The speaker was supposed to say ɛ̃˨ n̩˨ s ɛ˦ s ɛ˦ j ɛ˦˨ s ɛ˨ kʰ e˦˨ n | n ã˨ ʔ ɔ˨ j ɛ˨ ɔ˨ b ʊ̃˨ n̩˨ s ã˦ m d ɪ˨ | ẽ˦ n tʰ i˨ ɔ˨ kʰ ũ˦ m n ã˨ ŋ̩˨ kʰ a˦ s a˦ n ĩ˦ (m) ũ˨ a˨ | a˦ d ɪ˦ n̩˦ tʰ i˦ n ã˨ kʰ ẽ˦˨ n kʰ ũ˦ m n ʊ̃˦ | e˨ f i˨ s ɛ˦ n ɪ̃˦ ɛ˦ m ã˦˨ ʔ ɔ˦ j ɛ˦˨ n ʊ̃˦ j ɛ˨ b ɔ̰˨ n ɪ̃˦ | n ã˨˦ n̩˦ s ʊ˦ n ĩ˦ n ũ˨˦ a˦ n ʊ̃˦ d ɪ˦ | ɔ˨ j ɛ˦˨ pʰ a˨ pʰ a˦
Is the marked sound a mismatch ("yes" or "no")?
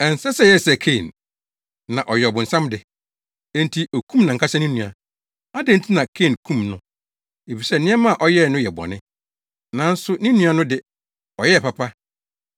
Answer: yes